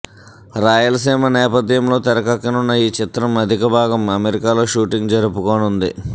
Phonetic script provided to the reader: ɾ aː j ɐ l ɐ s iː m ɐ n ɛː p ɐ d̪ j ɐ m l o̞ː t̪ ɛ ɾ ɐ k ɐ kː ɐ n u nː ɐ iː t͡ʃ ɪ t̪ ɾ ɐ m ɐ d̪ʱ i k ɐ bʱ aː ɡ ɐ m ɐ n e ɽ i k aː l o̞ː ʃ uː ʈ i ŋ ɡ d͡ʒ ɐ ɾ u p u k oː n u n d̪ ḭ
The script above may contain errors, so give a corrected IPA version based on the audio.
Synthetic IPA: ɾ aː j ɐ l ɐ s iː m ɐ n ɛː p ɐ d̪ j ɐ m l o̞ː t̪ ɛ ɾ ɐ k ɐ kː ɐ n u nː ɐ iː t͡ʃ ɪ t̪ ɾ ɐ m ɐ d̪ʱ i k ɐ bʱ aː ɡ ɐ m ɐ m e ɾ i k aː l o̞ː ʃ uː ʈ i ŋ ɡ d͡ʒ ɐ ɾ u p u k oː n u n d̪ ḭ